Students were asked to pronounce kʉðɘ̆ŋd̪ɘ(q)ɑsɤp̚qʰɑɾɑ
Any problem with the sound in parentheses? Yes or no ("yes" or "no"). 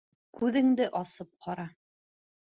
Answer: yes